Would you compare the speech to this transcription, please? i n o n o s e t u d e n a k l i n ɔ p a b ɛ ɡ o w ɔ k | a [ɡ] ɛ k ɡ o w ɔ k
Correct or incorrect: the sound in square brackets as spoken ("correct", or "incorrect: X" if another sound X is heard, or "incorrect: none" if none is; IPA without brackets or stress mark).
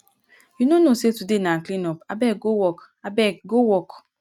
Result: incorrect: b